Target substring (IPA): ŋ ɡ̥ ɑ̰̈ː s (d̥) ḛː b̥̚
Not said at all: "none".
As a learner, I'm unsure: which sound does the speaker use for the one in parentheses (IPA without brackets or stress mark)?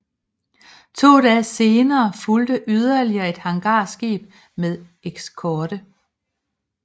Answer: ɡ̥